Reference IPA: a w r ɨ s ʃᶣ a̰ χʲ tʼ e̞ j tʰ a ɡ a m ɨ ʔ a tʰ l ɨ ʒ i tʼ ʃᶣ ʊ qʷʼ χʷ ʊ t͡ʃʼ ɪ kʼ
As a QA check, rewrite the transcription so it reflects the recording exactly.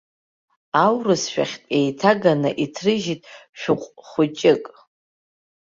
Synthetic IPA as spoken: a w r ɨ s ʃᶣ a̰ χʲ tʼ e̞ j tʰ a ɡ a n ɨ ʔ i tʰ r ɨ ʒ i tʼ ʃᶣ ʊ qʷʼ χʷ ʊ t͡ʃʼ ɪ kʼ